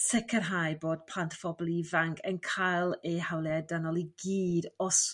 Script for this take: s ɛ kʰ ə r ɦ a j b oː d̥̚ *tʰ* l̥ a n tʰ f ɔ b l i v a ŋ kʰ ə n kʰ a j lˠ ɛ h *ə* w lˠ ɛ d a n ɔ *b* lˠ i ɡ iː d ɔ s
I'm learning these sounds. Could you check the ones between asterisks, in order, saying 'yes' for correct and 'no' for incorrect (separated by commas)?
no, no, no